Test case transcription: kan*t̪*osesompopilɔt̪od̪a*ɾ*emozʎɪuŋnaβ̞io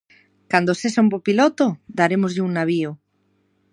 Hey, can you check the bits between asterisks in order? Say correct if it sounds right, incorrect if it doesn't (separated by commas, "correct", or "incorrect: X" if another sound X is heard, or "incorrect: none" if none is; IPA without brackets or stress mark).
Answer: incorrect: d̪, correct